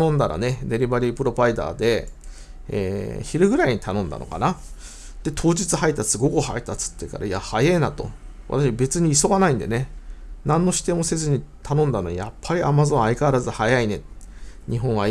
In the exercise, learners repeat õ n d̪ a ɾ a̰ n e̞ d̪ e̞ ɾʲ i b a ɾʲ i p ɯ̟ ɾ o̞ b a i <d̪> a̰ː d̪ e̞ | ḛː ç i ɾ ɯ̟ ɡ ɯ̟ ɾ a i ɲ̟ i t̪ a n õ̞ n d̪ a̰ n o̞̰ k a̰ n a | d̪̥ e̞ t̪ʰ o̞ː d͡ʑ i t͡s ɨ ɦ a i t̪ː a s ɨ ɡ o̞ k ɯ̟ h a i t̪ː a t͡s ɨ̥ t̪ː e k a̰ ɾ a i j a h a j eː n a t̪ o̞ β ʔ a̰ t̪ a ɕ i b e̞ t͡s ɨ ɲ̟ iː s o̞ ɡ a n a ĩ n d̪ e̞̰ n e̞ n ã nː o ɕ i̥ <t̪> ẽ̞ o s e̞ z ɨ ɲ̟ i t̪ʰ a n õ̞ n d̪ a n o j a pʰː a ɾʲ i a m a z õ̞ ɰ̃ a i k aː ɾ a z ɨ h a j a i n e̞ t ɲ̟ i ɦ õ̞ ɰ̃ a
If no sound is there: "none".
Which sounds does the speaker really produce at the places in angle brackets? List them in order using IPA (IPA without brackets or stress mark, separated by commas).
d̪, t̪